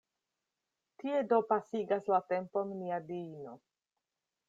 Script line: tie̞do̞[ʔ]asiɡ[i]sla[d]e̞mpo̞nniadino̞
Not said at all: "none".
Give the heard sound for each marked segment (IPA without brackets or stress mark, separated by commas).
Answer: p, a, t